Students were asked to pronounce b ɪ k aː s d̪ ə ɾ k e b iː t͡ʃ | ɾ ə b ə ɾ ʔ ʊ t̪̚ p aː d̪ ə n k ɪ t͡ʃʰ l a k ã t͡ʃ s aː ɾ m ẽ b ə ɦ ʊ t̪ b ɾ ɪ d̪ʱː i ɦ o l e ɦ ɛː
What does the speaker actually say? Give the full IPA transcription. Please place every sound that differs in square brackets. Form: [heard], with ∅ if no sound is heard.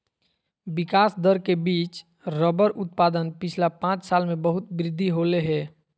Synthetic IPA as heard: b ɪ k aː s d̪ ə ɾ k e b iː t͡ʃ | ɾ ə b ə ɾ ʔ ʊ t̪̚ p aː d̪ ə n [p] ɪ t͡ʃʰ l a [p] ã t͡ʃ s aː [l] m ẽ b ə ɦ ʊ t̪ b ɾ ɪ d̪ʱː i ɦ o l e ɦ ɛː